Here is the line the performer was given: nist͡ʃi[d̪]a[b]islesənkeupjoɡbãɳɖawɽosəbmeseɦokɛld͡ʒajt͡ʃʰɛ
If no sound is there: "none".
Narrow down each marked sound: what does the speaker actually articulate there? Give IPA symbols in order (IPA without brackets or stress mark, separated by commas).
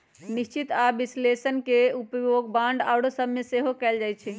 t̪, b